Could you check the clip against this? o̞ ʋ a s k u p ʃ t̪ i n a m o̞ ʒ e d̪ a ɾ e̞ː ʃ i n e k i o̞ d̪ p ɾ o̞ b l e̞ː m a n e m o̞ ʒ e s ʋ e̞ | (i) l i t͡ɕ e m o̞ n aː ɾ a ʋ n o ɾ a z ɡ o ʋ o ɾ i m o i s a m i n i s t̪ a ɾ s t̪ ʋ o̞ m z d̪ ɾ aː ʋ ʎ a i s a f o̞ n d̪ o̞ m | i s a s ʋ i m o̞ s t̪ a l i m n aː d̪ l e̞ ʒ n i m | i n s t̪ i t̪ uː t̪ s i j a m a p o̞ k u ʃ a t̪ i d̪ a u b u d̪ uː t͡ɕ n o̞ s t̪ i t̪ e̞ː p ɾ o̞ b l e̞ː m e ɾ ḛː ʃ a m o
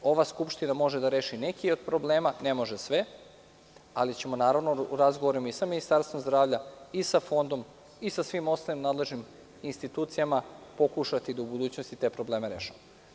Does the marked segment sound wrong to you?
yes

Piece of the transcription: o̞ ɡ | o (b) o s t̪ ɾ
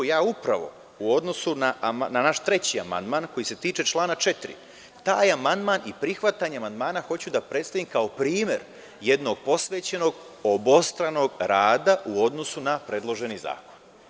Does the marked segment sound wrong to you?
no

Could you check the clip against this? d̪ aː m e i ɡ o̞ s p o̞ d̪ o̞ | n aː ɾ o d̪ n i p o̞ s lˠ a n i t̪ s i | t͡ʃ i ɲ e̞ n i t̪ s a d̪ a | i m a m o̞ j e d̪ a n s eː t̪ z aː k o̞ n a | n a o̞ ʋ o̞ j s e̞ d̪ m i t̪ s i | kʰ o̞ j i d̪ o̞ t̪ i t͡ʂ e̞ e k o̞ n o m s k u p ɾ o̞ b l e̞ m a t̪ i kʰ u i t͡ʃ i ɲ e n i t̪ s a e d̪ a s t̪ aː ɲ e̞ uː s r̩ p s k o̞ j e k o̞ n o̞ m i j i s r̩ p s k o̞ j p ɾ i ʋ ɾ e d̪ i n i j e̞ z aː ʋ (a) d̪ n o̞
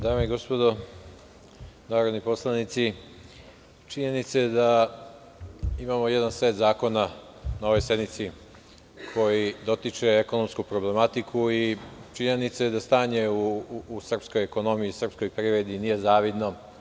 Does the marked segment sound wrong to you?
yes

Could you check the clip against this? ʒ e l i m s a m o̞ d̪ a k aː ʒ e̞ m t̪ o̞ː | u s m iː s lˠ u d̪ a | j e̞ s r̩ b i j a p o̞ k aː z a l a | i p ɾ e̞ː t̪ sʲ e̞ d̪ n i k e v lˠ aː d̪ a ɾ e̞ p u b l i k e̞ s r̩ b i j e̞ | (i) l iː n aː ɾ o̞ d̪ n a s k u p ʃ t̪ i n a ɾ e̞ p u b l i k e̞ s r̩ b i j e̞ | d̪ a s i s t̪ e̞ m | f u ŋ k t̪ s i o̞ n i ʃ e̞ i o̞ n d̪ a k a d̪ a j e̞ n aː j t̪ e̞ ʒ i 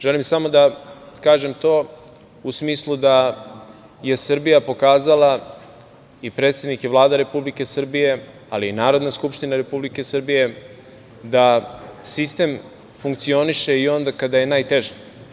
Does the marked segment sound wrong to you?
yes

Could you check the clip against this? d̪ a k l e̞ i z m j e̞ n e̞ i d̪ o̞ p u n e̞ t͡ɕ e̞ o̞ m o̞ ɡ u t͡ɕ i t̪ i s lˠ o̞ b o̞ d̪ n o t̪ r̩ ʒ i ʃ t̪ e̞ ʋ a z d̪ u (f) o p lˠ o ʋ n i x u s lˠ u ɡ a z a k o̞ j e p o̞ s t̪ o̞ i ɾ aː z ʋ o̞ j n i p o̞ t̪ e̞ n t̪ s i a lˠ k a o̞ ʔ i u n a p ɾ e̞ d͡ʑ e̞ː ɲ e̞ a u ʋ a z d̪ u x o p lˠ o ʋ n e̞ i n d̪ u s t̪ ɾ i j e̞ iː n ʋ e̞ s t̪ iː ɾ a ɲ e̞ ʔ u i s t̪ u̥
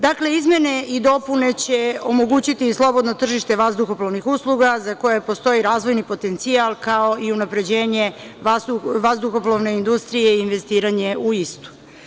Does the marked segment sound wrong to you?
yes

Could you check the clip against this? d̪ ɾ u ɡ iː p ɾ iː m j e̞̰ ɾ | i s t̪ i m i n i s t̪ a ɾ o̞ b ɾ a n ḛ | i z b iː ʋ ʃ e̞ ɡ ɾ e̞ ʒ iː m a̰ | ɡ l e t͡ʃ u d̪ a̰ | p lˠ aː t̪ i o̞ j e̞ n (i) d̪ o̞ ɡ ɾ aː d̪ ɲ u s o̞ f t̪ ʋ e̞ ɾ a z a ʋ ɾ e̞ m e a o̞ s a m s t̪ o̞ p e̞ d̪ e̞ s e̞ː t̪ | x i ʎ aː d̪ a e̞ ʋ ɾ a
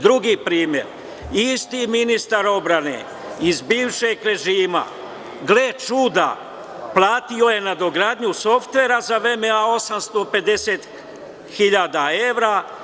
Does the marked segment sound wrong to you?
yes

